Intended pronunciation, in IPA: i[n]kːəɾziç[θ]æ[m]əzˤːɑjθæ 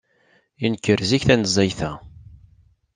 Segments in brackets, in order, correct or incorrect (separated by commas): correct, correct, incorrect